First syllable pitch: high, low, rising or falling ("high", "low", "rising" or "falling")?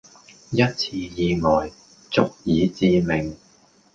high